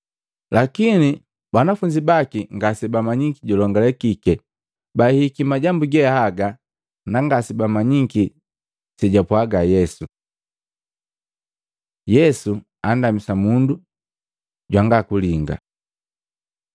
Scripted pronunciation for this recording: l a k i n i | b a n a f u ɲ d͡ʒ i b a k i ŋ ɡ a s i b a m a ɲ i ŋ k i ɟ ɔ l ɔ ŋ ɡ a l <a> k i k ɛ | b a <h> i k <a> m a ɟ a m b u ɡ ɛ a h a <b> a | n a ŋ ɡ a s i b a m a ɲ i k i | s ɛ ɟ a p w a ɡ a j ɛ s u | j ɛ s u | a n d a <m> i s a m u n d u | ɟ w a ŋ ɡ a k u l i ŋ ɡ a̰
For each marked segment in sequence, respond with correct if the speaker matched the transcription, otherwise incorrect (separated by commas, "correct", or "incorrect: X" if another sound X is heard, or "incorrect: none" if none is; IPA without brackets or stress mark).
incorrect: ɛ, correct, incorrect: i, incorrect: ɡ, correct